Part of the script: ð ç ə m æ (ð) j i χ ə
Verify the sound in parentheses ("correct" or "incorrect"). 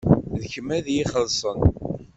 correct